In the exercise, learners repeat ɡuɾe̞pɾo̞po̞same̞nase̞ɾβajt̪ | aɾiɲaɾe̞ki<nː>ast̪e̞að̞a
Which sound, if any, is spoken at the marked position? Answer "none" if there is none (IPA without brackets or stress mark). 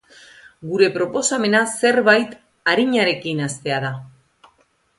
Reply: n